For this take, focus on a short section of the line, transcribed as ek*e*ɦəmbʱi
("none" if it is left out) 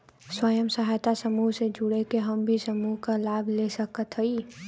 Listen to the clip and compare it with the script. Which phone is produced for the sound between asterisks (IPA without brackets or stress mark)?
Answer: e